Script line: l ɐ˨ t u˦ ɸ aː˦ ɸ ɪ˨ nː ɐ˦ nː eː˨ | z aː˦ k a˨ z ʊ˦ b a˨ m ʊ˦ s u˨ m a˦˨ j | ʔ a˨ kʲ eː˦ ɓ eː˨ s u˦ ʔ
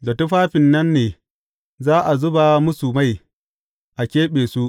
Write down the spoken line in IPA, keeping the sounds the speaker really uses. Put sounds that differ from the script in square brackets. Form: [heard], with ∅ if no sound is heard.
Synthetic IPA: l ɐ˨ t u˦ ɸ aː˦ ɸ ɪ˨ nː ɐ˦ nː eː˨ | z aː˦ [ʔ] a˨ z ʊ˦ b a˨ m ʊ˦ s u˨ m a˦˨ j | ʔ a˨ kʲ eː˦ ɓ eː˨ s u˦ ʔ